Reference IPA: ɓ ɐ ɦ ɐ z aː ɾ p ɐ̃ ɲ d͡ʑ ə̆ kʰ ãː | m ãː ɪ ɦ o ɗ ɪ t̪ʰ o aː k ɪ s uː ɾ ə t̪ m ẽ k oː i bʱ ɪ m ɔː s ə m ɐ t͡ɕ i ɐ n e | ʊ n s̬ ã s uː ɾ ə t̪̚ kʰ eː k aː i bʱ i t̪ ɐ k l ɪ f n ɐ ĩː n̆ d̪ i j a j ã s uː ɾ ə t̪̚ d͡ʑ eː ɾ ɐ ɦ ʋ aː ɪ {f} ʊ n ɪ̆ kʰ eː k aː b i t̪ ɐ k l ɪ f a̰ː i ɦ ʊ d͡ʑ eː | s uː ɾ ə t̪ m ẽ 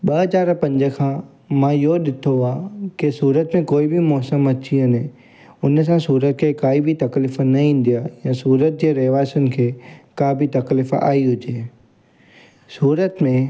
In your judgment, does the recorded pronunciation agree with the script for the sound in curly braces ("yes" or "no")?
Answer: no